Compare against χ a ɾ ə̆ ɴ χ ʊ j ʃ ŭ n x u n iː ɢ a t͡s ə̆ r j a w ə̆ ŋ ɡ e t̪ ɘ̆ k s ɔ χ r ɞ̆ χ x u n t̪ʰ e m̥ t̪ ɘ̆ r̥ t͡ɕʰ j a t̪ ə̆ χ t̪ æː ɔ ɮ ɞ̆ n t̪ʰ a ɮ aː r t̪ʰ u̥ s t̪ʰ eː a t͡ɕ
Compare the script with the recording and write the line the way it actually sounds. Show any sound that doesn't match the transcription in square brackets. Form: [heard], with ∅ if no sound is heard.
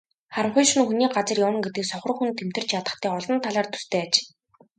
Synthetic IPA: χ a ɾ ə̆ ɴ χ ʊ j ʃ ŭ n x u n iː ɢ a t͡s ə̆ r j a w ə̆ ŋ ɡ e t̪ ɘ̆ k s ɔ χ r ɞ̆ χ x u n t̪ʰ e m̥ t̪ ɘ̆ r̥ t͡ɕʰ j a t̪ ə̆ χ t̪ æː ɔ ɮ ɞ̆ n t̪ʰ a ɮ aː r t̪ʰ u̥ s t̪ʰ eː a t͡ɕ